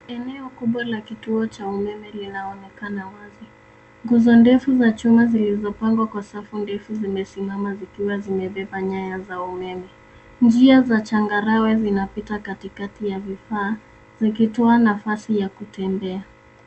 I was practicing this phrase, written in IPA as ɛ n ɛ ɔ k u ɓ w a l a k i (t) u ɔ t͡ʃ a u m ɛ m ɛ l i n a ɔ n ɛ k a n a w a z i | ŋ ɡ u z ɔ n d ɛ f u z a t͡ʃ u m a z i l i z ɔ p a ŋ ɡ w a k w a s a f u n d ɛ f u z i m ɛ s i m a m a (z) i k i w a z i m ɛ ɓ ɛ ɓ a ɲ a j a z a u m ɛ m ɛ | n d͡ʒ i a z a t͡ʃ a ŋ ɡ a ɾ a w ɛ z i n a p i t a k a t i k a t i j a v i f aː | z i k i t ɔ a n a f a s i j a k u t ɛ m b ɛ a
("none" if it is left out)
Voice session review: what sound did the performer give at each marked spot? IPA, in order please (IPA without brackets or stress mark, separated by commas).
t, z